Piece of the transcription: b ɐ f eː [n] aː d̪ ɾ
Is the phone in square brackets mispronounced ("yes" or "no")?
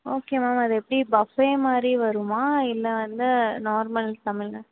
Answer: yes